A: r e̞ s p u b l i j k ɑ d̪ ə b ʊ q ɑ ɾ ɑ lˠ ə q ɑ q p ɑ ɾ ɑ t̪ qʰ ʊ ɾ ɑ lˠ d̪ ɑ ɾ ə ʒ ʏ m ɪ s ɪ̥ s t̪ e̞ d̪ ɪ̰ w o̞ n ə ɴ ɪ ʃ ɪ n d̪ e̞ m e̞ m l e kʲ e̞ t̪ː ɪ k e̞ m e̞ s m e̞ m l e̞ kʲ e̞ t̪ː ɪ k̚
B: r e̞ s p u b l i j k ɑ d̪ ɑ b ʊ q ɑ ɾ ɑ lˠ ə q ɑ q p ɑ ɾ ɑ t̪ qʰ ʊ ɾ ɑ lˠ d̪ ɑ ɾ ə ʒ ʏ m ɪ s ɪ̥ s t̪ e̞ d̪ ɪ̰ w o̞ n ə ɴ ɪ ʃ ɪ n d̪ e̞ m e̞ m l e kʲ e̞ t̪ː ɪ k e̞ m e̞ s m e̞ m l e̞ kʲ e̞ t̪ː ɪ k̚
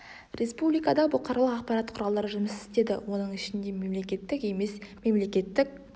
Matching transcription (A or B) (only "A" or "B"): B